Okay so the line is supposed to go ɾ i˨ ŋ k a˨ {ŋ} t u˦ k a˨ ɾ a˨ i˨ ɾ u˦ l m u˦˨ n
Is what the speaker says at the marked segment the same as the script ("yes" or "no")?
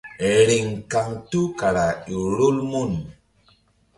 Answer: yes